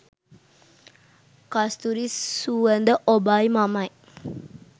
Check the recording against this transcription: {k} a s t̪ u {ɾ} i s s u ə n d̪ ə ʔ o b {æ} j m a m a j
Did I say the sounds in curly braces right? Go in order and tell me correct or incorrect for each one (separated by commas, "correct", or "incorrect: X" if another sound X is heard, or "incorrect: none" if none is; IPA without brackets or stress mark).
correct, correct, incorrect: a